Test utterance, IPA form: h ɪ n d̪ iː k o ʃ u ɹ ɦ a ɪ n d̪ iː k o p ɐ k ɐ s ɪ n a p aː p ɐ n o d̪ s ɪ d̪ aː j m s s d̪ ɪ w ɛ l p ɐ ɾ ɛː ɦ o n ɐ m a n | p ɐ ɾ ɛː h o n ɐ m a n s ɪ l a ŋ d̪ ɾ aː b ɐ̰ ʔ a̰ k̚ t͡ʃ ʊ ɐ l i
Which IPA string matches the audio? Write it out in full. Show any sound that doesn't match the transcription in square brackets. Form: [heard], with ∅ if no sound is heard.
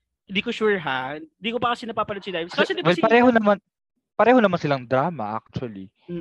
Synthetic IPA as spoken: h ɪ n d̪ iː k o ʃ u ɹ ɦ a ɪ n d̪ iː k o p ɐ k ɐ s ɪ n [ɐ] p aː p ɐ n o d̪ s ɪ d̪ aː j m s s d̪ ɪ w ɛ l p ɐ ɾ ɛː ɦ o n ɐ m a n | p ɐ ɾ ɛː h o n ɐ m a n s ɪ l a ŋ d̪ ɾ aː [m] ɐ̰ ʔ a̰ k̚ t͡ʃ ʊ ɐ l i